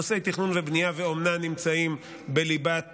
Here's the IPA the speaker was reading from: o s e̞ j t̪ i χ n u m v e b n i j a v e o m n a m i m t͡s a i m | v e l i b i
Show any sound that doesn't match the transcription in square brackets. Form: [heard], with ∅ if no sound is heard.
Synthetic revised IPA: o s e̞ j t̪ i χ n u [n] v e b n i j a v e o m n a [n] i m t͡s a i m | [b] e l i b [a]